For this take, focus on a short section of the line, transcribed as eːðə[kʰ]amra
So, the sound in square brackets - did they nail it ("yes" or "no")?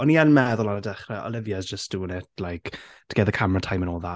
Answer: yes